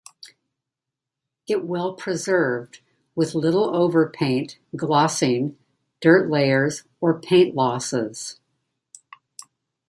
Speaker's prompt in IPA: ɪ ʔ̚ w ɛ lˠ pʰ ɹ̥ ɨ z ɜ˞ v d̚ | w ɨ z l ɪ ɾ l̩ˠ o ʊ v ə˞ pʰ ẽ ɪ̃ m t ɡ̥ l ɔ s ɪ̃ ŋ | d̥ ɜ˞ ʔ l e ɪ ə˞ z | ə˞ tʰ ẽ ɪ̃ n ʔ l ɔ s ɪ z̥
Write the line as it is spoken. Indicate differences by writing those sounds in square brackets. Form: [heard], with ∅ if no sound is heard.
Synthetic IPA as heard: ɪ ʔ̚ w ɛ lˠ pʰ ɹ̥ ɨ z ɜ˞ v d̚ | w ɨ [ð] l ɪ ɾ l̩ˠ o ʊ v ə˞ pʰ ẽ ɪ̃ [n] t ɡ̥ l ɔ s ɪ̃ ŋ | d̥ ɜ˞ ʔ l e ɪ ə˞ z | ə˞ [pʰ] ẽ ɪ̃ n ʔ l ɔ s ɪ z̥